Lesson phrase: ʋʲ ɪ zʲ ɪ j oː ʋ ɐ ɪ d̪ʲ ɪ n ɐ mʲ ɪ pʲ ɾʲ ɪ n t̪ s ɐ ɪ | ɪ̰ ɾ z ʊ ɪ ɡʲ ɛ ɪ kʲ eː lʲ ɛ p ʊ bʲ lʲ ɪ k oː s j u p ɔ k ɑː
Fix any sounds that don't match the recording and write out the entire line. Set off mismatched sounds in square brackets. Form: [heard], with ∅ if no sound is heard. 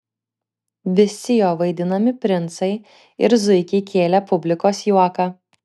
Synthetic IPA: ʋʲ ɪ [sʲ] ɪ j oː ʋ ɐ ɪ d̪ʲ ɪ n ɐ mʲ ɪ pʲ ɾʲ ɪ n t̪ s ɐ ɪ | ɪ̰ ɾ z ʊ ɪ [kʲ] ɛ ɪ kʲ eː lʲ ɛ p ʊ bʲ lʲ ɪ k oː s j u [∅] ɔ k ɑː